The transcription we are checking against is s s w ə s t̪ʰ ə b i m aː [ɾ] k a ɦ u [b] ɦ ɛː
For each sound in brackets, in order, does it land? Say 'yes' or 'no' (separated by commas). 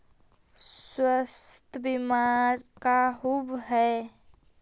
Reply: yes, yes